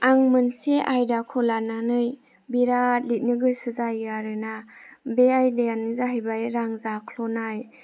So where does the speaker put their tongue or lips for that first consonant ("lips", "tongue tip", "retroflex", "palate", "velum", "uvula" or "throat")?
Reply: velum